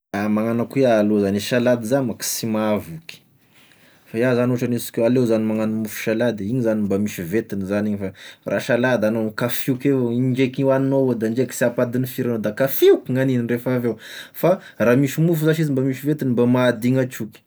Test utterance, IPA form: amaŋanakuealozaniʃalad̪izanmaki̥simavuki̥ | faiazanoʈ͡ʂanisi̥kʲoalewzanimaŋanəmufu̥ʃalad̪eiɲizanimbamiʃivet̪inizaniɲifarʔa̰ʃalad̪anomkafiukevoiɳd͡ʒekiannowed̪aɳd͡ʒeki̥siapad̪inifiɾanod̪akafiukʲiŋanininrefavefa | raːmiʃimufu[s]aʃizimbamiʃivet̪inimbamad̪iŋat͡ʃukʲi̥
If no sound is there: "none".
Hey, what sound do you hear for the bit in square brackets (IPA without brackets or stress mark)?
z